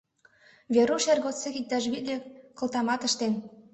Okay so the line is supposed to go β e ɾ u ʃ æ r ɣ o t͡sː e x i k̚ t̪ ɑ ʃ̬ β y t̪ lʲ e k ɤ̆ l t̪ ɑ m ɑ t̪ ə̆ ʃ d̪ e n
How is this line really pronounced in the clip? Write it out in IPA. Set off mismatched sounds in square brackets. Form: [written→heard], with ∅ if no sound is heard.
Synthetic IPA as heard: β e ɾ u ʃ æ r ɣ o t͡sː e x i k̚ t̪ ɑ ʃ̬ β [y→i] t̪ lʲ e k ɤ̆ l t̪ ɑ m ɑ t̪ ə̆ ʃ [d̪→t̪] e n